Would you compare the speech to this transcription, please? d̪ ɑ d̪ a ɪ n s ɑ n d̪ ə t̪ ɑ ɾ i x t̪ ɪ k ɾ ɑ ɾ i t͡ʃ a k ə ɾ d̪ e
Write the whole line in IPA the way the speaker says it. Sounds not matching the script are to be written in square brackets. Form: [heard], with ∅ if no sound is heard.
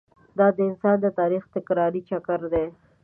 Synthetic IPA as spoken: d̪ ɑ d̪ [ə] ɪ n s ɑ n d̪ ə t̪ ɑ ɾ i x t̪ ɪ k ɾ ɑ ɾ i t͡ʃ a k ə ɾ d̪ e